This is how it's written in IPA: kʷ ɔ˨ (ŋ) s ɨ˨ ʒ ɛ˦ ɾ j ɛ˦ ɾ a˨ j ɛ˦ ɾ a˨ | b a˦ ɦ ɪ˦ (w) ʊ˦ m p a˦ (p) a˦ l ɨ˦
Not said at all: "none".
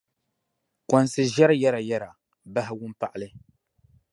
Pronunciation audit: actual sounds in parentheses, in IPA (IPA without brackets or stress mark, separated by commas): n, w, ʔ